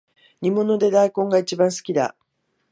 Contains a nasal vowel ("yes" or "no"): yes